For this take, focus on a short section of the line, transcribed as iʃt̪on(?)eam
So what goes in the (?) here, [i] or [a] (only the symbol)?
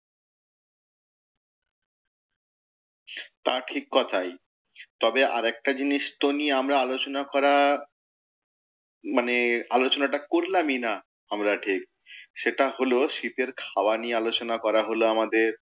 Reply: i